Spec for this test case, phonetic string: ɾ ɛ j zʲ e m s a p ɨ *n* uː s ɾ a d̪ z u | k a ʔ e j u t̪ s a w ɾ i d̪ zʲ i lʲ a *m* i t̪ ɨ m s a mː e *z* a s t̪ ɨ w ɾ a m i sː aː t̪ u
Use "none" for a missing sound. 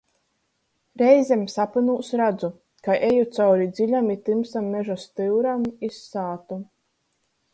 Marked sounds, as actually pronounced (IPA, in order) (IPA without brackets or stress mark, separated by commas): n, m, ʒ